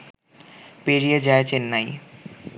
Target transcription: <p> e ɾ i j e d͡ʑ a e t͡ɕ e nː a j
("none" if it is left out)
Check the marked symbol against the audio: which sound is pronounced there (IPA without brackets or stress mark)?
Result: p